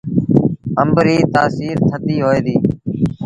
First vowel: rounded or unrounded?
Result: unrounded